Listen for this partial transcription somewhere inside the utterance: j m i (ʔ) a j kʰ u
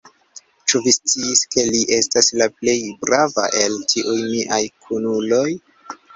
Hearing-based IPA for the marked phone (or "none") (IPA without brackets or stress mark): ʔ